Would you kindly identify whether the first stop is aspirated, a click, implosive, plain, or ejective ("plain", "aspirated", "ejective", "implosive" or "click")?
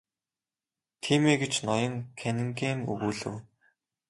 aspirated